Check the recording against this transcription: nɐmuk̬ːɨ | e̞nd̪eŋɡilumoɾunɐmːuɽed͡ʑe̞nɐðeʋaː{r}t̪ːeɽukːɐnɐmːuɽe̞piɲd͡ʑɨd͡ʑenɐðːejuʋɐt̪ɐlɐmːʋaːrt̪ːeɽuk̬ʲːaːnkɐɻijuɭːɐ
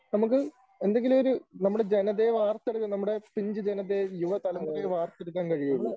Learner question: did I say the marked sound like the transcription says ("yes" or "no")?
yes